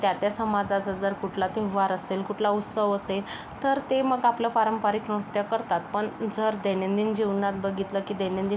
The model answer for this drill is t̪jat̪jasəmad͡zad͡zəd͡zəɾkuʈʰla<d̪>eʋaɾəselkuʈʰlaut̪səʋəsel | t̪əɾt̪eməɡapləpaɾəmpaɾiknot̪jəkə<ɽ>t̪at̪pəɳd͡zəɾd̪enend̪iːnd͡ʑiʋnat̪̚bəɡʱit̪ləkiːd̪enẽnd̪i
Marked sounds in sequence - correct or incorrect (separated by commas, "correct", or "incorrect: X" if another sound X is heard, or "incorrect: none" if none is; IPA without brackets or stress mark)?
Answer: incorrect: t̪, incorrect: ɾ